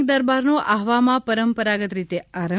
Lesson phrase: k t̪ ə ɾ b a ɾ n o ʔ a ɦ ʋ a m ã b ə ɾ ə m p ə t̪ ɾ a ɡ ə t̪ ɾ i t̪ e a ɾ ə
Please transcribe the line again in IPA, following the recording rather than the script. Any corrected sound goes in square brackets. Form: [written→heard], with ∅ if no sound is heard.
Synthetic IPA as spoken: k [t̪→d̪] ə ɾ b a ɾ n o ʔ a ɦ ʋ a m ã [b→p] ə ɾ ə m p ə [t̪→∅] ɾ a ɡ ə t̪ ɾ i t̪ e a ɾ ə

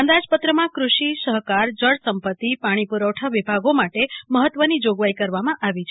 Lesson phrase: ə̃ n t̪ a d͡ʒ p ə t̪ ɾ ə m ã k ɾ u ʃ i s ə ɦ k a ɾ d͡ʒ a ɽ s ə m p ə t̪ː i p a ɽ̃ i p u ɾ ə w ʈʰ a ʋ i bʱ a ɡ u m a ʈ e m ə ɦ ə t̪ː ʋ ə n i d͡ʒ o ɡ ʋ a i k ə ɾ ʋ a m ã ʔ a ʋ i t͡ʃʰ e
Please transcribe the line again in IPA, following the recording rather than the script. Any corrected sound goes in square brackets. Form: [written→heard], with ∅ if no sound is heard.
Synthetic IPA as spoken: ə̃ n [t̪→d̪] a d͡ʒ p ə t̪ ɾ ə m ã k ɾ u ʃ i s ə ɦ k a ɾ d͡ʒ [a→ə] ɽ s ə m p ə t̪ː i p a ɽ̃ i p u ɾ ə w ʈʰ a ʋ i bʱ a ɡ [u→o] m a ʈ e m ə ɦ ə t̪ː ʋ ə n i d͡ʒ o ɡ ʋ a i k ə ɾ ʋ a m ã ʔ a ʋ i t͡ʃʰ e

